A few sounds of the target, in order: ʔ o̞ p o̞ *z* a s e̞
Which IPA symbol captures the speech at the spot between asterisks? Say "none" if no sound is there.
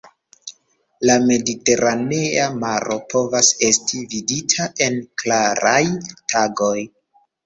v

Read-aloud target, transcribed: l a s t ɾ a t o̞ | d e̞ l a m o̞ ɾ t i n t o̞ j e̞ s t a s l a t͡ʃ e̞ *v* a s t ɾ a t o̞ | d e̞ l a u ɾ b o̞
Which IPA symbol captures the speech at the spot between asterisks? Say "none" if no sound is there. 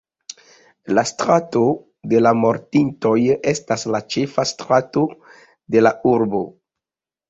f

